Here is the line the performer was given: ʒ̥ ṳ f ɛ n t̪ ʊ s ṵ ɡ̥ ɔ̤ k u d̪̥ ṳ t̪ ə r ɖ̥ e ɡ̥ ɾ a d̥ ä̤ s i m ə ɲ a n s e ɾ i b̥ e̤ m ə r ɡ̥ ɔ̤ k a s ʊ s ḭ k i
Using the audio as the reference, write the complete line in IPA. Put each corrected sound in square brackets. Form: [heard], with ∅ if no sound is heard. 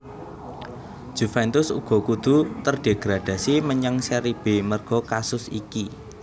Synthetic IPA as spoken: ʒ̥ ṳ f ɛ n t̪ ʊ s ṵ ɡ̥ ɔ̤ k u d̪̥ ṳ t̪ ə r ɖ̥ e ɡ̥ ɾ a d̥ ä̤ s i m ə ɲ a [ŋ] s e ɾ i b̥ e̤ m ə r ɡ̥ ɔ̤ k a s ʊ s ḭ k i